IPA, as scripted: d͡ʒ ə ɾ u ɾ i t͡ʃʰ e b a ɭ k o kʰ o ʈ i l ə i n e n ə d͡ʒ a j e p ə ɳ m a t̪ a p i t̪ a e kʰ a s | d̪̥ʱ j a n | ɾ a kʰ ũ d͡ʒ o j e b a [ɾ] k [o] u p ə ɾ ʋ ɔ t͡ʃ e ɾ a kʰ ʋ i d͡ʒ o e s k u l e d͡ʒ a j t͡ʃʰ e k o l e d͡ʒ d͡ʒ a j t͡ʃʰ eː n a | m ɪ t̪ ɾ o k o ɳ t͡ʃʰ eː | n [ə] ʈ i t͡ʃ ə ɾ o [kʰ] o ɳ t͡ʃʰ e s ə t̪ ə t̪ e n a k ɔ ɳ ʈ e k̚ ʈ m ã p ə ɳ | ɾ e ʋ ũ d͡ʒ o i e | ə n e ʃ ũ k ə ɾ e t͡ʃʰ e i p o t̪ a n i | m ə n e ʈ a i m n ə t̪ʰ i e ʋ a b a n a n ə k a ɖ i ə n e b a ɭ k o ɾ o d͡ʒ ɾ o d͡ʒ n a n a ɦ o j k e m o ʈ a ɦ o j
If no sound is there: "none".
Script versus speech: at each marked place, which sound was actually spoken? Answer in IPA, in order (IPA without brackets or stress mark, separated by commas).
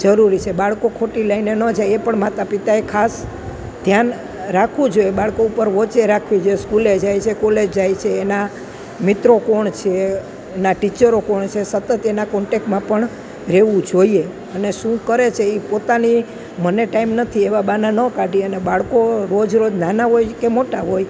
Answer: ɭ, o, a, k